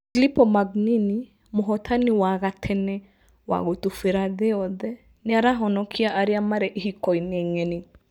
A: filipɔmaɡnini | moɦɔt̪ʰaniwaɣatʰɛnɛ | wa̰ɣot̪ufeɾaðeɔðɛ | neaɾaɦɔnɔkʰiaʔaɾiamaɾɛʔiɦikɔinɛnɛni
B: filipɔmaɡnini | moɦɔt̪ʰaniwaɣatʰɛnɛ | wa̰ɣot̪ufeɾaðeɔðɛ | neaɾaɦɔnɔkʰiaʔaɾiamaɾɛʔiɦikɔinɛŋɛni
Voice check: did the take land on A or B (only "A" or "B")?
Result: B